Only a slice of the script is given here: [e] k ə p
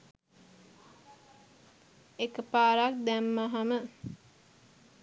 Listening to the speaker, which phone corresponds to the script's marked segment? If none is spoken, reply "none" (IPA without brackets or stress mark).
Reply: e